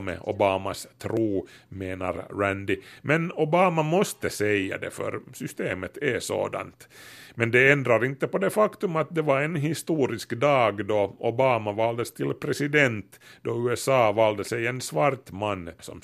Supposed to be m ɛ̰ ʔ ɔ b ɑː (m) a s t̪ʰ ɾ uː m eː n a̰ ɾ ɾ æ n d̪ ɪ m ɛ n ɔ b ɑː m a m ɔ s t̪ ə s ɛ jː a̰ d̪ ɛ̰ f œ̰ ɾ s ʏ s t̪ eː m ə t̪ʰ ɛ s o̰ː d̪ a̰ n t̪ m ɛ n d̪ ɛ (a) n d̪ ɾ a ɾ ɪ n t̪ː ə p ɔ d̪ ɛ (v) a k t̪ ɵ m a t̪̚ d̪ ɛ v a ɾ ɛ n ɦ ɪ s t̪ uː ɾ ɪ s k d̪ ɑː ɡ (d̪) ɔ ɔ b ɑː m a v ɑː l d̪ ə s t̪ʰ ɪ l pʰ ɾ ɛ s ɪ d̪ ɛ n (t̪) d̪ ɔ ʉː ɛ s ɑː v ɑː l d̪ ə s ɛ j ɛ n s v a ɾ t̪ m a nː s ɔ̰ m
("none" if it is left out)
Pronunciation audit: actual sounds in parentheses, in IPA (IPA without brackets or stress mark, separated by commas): m, ɛ, f, d̪, t̪